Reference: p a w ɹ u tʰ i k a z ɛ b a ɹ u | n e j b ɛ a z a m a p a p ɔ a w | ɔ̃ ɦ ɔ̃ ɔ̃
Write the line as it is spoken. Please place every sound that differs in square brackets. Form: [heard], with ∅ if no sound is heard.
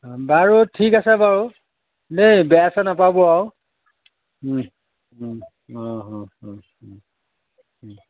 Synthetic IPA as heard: [b] a [∅] ɹ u tʰ i k a [s] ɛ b a ɹ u | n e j b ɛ a [s] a [n] a p a [b] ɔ a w | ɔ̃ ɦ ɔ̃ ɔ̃